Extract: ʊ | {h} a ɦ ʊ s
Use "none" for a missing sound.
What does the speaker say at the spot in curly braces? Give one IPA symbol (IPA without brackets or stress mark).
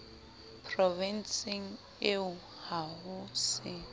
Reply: h